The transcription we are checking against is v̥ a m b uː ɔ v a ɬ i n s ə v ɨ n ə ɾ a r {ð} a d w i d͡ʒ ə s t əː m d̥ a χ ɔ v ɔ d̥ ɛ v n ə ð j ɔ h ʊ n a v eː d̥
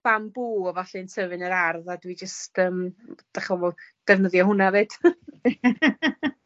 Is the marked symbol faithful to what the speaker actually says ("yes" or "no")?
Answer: yes